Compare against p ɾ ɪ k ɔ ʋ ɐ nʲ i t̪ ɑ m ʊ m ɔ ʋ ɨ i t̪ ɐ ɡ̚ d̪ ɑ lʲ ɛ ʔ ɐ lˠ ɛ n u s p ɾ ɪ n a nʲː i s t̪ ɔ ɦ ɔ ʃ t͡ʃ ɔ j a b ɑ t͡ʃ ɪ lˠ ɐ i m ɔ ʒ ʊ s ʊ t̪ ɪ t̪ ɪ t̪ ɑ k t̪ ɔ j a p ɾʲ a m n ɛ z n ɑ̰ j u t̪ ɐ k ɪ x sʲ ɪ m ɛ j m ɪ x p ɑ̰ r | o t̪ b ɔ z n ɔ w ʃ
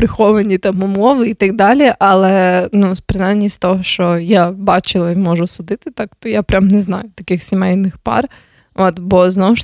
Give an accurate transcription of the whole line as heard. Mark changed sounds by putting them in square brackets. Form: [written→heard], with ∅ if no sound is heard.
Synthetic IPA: p ɾ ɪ [k→x] ɔ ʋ ɐ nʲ i t̪ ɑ m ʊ m ɔ ʋ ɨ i t̪ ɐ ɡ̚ d̪ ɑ lʲ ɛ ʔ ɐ lˠ ɛ n u s p ɾ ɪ n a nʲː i s t̪ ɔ ɦ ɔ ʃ t͡ʃ ɔ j a b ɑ t͡ʃ ɪ lˠ ɐ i m ɔ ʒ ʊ s ʊ [t̪→d̪] ɪ t̪ ɪ t̪ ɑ k t̪ ɔ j a p ɾʲ a m n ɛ z n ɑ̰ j [u→ʊ] t̪ ɐ k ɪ x sʲ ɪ m ɛ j [m→n] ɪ x p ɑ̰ r | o t̪ b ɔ z n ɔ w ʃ